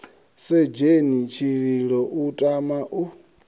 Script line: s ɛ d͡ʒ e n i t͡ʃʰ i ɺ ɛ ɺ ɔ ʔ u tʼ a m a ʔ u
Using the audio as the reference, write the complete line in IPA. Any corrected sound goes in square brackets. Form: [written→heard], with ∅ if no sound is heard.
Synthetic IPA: s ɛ d͡ʒ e n i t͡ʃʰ i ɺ [ɛ→i] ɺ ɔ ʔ u tʼ a m a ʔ u

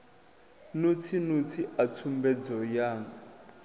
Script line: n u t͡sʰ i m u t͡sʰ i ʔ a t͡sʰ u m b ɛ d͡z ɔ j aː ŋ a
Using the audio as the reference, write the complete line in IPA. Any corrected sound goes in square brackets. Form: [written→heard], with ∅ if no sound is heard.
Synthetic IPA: n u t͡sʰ i [m→n] u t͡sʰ i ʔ a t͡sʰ u m b ɛ d͡z ɔ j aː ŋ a

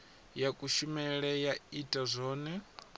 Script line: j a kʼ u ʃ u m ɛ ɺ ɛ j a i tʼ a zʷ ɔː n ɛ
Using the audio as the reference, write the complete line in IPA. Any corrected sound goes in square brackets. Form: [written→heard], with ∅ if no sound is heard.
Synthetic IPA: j a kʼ u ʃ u m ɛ ɺ ɛ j a i tʼ a zʷ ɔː n ɛ

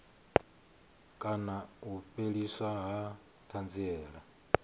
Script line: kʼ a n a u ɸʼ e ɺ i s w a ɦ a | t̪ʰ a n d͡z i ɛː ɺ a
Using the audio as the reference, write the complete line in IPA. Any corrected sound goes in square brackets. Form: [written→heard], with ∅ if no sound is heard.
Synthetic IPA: kʼ a n a u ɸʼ e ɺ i s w a ɦ a | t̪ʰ a n d͡z i ɛː ɺ a

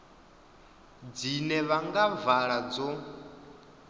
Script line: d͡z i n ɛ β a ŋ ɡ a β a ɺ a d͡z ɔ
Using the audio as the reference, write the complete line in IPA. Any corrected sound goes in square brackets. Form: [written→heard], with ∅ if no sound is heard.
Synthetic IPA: d͡z i n ɛ β a ŋ ɡ a [β→v] a ɺ a d͡z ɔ

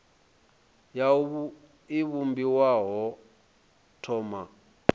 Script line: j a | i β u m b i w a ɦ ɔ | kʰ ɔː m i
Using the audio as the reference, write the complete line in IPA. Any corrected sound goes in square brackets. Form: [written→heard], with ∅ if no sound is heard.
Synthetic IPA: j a | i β u m b i w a ɦ ɔ | [kʰ→tʰ] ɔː m [i→a]

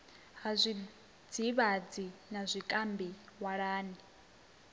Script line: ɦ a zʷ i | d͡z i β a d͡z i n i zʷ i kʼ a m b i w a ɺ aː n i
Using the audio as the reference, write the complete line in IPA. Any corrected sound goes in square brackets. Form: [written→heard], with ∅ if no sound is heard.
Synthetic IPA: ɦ a zʷ i | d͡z i β a d͡z i n [i→a] zʷ i kʼ a m b i w a ɺ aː n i

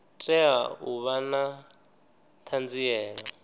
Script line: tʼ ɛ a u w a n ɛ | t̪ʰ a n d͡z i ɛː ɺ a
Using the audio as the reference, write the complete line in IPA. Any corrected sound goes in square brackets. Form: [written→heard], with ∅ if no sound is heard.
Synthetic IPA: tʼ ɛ a u [w→β] a n [ɛ→a] | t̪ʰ a n d͡z i ɛː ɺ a

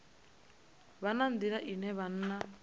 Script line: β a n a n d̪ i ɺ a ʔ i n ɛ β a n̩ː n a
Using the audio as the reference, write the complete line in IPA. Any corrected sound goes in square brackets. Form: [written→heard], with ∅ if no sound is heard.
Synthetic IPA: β a n a n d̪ i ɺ a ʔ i n ɛ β a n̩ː n a

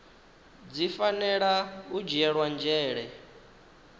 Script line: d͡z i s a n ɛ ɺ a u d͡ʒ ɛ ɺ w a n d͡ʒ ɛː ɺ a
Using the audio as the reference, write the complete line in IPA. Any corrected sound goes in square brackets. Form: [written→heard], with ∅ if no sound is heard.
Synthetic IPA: d͡z i [s→f] a n ɛ ɺ a u d͡ʒ ɛ ɺ w a n d͡ʒ ɛː ɺ [a→ɛ]

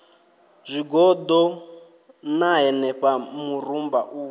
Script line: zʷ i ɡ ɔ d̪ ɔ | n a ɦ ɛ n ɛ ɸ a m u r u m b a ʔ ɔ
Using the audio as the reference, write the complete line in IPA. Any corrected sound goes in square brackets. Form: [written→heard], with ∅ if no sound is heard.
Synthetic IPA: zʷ i ɡ ɔ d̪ ɔ | n a ɦ ɛ n ɛ ɸ a m u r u m b a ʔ [ɔ→u]

